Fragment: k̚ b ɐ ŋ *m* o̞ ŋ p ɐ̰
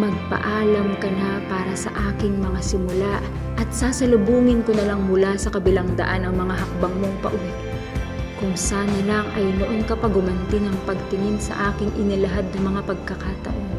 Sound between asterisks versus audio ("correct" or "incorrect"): correct